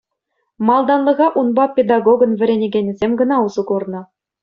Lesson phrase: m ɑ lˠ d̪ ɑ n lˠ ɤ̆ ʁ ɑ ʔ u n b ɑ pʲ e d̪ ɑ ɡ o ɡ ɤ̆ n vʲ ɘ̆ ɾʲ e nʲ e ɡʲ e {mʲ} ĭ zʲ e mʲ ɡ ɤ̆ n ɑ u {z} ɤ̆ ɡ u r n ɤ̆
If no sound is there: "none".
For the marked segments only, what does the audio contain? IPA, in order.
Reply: nʲ, z

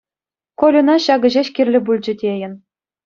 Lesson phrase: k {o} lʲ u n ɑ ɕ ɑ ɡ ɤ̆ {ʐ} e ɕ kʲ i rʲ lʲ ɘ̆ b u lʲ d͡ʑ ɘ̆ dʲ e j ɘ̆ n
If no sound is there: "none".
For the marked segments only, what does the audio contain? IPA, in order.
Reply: o, ʑ

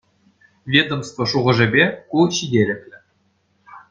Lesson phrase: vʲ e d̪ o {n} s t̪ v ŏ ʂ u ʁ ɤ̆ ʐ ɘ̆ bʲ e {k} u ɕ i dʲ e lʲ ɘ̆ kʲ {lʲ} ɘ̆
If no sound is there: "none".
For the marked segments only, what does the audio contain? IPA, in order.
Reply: m, k, lʲ

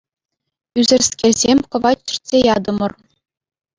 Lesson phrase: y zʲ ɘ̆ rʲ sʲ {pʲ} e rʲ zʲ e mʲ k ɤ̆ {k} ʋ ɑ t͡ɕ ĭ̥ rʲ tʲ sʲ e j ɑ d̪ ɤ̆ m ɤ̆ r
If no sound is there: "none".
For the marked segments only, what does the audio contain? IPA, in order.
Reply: kʲ, none

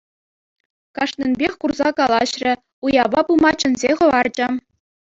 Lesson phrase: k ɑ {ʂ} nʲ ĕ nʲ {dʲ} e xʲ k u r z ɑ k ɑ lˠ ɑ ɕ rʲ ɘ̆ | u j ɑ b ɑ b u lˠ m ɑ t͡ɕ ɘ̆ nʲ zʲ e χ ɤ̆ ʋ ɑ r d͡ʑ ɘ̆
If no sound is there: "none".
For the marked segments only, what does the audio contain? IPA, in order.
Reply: ʂ, bʲ

